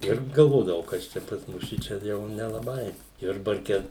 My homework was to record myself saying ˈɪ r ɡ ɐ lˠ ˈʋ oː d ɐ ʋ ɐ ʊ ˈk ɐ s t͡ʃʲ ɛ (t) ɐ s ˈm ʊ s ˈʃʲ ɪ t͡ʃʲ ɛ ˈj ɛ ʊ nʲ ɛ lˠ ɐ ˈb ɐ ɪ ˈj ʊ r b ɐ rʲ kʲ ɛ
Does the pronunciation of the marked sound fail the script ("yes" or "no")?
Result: yes